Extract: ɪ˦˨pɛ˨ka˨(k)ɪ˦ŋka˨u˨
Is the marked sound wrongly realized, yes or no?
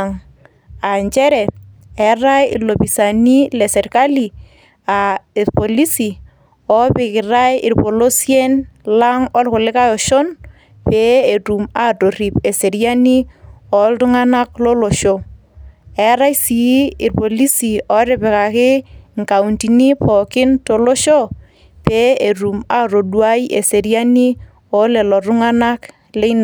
no